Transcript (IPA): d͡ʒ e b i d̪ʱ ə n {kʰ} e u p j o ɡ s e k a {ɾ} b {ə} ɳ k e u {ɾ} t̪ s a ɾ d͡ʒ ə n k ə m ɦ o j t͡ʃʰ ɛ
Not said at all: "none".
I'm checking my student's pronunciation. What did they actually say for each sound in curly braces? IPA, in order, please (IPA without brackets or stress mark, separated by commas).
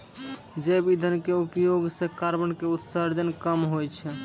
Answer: k, ɾ, ə, none